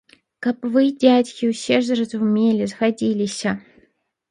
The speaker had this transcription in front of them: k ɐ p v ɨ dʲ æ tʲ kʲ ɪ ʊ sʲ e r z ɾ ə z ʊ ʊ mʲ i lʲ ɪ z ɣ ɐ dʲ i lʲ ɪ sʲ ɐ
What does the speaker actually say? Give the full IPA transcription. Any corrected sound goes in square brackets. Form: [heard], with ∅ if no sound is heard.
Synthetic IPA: k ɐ p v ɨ dʲ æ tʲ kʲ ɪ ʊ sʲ e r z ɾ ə z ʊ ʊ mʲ [e] lʲ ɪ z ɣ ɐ dʲ i lʲ ɪ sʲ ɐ